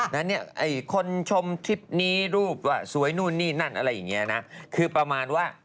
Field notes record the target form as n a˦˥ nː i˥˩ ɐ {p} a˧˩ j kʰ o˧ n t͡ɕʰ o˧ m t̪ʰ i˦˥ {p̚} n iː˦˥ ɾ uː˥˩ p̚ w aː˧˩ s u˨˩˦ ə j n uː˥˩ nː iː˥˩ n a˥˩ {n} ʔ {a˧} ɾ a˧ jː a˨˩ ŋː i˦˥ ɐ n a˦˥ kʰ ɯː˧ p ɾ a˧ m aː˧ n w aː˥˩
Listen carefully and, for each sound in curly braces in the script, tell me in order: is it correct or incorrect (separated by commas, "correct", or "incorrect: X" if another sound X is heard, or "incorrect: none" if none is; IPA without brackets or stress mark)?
incorrect: ʔ, correct, correct, correct